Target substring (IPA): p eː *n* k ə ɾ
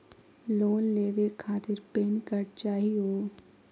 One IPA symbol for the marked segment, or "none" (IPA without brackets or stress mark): n